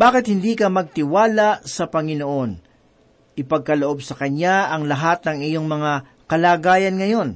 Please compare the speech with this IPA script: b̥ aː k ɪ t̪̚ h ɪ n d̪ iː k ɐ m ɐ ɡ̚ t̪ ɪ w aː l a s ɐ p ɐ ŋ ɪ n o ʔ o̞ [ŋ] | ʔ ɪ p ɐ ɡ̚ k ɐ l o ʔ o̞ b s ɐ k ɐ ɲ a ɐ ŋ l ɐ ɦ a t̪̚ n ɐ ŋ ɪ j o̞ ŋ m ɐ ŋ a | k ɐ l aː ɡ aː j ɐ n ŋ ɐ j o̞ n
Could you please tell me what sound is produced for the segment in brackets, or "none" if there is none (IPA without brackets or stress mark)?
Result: n